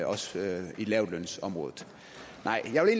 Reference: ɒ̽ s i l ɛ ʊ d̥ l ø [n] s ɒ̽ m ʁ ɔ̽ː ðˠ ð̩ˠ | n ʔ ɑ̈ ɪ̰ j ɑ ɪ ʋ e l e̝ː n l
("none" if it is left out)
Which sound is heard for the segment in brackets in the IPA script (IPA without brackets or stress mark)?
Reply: n